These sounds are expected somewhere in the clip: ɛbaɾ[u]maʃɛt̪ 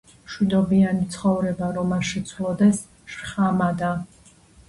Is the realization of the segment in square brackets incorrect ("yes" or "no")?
yes